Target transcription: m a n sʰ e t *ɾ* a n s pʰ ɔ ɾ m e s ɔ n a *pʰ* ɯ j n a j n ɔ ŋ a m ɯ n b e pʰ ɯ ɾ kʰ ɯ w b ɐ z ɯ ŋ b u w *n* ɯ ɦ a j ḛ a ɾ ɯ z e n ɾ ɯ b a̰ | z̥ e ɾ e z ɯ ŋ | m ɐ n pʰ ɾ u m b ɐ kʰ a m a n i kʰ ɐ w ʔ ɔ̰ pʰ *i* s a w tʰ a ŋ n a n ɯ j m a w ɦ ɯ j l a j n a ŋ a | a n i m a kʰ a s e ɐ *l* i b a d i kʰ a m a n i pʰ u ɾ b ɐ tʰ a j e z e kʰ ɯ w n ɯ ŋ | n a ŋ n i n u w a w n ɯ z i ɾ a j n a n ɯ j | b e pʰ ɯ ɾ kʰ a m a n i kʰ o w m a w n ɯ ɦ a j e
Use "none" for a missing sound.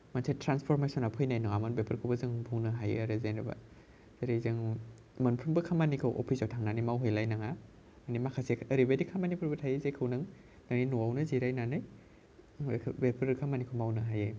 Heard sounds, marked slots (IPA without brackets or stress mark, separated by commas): ɾ, pʰ, n, i, ɾ